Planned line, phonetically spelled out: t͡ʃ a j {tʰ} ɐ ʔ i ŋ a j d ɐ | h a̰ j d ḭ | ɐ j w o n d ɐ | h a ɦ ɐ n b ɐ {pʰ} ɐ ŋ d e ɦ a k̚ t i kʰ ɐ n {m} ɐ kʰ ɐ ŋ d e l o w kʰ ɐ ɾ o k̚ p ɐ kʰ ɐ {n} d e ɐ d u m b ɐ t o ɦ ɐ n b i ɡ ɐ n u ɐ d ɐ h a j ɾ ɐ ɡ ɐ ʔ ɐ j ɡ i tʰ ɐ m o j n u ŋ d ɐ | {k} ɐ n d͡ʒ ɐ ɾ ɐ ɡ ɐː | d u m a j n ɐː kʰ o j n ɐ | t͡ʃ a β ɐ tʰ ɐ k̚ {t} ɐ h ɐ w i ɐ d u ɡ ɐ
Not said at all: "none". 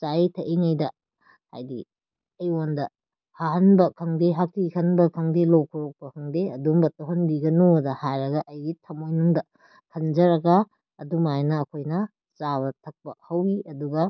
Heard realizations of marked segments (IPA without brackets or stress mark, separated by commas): tʰ, kʰ, b, ŋ, kʰ, p